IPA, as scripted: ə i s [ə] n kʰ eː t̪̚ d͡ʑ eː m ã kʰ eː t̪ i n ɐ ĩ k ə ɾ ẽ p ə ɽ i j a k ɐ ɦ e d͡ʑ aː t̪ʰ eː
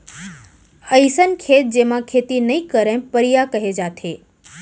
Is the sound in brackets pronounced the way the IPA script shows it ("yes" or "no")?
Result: yes